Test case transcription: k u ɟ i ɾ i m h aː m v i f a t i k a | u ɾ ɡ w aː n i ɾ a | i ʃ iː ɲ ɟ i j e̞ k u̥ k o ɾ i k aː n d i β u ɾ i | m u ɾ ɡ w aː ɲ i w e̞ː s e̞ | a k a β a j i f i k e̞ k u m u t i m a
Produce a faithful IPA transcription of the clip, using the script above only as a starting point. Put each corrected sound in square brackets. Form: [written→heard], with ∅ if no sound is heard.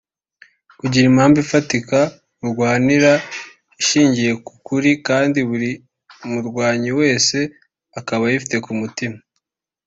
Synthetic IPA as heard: k u ɟ i ɾ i m h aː m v i f a t i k a | u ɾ ɡ w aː n i ɾ a | i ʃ iː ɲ ɟ i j e̞ k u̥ k [o→u] ɾ i k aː n d i β u ɾ i | m u ɾ ɡ w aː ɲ i w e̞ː s e̞ | a k a β a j i f i [k→t] e̞ k u m u t i m a

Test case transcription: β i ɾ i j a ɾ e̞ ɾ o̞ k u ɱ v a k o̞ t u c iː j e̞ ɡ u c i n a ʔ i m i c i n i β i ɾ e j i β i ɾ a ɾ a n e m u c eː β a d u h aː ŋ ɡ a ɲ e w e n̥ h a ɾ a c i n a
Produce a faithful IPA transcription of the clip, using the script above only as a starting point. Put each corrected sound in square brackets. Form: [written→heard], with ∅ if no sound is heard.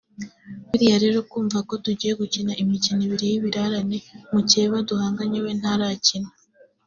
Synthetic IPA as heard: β i ɾ i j a ɾ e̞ ɾ o̞ k [u→uː] ɱ v a k o̞ t u [c→ɟ] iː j e̞ ɡ u c i n a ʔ i m i c i n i β i ɾ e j i β i ɾ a ɾ a n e m u c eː β a d u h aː ŋ ɡ a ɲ e w e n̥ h a ɾ a c i n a

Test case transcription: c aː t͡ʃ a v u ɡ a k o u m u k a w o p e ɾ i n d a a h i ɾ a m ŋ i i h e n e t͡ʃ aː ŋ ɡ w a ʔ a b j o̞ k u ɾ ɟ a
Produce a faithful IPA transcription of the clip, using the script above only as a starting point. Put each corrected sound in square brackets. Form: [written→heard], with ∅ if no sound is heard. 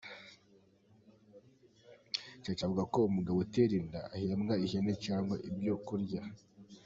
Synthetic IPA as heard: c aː t͡ʃ a v u ɡ a k o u m u [k→ɡ] a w o [p→t] e ɾ i n d a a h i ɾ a m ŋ [i→a] i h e n e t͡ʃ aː ŋ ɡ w a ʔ [a→i] b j o̞ k u ɾ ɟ a

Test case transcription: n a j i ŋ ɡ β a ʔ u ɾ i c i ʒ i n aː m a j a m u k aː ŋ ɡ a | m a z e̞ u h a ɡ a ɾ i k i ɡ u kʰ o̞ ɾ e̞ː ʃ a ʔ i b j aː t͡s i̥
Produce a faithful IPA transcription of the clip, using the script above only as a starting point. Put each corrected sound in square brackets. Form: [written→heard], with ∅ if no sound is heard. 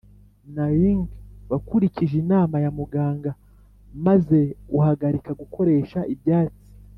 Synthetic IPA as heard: n a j i ŋ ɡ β a [ʔ→k] u ɾ i c i ʒ i n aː m a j a m u [k→ɡ] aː ŋ ɡ a | m a z e̞ u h a ɡ a ɾ i k [i→a] ɡ u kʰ o̞ ɾ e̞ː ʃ a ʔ i b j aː t͡s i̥

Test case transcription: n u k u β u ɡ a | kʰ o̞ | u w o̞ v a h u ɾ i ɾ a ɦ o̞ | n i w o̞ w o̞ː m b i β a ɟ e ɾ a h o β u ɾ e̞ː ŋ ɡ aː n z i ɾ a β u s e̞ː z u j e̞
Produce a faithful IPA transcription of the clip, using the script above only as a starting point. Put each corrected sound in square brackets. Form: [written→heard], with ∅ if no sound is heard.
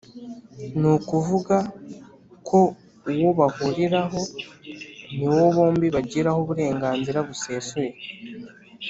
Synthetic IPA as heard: n u k u [β→v] u ɡ a | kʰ o̞ | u w o̞ [v→β] a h u ɾ i ɾ a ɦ o̞ | n i w o̞ [w→β] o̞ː m b i β a ɟ [e→i] ɾ a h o β u ɾ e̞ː ŋ ɡ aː n z i ɾ a β u s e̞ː [z→s] u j e̞

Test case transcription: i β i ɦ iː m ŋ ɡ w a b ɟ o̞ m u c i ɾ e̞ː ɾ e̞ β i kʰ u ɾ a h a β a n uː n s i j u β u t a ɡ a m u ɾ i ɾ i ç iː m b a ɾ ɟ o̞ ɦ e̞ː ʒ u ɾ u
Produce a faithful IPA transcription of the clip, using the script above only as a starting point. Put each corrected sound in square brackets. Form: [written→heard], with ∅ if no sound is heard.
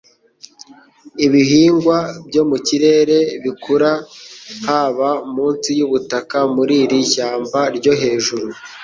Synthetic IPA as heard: i β i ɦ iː [m→∅] ŋ ɡ w a b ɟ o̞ m u c i ɾ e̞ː ɾ e̞ β i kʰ u ɾ a h a β a [n→m] uː n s i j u β u t a [ɡ→k] a m u ɾ i ɾ i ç [iː→aː] m b a ɾ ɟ o̞ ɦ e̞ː ʒ u ɾ u

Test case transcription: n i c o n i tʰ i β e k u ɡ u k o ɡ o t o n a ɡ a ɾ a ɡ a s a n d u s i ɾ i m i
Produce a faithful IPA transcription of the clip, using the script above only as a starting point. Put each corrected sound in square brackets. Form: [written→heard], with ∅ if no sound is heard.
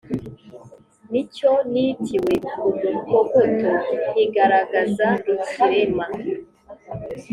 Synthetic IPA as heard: n i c o n i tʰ i [β→w] e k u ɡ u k o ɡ o t o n [a→i] ɡ a ɾ a ɡ a [s→z] a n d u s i ɾ [i→e] m [i→a]

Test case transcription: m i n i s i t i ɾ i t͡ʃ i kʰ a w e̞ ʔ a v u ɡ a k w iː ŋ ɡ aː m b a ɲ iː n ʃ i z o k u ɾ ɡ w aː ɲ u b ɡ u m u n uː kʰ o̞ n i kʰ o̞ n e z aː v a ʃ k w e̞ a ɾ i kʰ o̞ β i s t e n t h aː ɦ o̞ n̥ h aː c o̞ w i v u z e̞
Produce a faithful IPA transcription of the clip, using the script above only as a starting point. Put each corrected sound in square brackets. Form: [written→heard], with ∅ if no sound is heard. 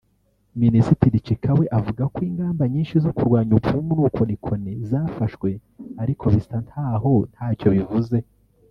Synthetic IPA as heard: m i n i s i t i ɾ i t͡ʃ i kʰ a w e̞ ʔ a v u ɡ a k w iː ŋ ɡ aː m b a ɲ iː n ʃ i z o k u ɾ ɡ w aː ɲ u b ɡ u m u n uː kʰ o̞ n i kʰ o̞ n e z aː [v→f] a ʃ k w e̞ a ɾ i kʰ o̞ β i s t [e→a] n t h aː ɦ o̞ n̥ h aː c o̞ [w→β] i v u z e̞

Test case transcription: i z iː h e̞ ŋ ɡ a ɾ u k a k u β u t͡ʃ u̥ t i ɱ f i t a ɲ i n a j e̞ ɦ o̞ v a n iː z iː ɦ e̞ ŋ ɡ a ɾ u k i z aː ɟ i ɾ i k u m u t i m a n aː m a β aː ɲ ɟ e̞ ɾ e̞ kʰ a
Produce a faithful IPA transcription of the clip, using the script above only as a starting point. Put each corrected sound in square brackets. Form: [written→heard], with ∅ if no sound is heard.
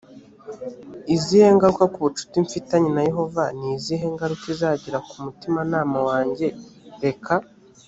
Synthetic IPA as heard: i z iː h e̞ ŋ ɡ a ɾ u k a k u β u t͡ʃ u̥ t i ɱ f i t a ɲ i n a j e̞ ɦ o̞ v a n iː z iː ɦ e̞ ŋ ɡ a ɾ u k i z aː ɟ i ɾ [i→a] k u m u t i m a n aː m a [β→w] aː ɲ ɟ e̞ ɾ e̞ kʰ a

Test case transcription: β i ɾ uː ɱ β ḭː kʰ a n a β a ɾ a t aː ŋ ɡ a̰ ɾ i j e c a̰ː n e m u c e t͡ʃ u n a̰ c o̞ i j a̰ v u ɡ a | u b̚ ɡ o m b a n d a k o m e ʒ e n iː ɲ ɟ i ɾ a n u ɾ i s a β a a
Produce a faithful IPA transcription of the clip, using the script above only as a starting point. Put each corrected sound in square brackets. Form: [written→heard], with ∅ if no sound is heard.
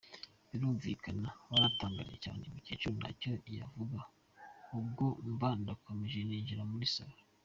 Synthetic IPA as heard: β i ɾ uː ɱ [β→v] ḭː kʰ a n a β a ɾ a t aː ŋ ɡ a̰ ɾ i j e c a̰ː n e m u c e t͡ʃ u n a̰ c o̞ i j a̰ v u ɡ a | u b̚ ɡ o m b a n d a k o m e ʒ e n iː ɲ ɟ i ɾ a [n→m] u ɾ i s a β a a

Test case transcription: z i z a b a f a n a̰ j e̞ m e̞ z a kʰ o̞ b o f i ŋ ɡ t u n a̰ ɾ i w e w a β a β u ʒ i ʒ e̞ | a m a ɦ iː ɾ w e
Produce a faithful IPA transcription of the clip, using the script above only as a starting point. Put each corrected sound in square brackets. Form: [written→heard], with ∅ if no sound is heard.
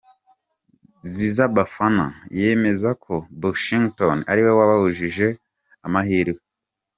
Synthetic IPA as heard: z i z a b a f a n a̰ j e̞ m e̞ z a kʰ o̞ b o [f→ʃ] i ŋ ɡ t [u→o] n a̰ ɾ i w e w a β a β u ʒ i ʒ e̞ | a m a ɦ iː ɾ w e

